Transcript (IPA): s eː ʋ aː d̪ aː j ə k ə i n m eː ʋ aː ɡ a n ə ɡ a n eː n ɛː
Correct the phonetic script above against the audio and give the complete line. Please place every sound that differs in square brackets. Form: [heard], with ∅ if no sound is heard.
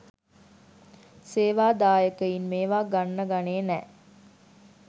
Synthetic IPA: s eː ʋ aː d̪ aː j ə k ə i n m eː ʋ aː ɡ a [nː] ə ɡ a n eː n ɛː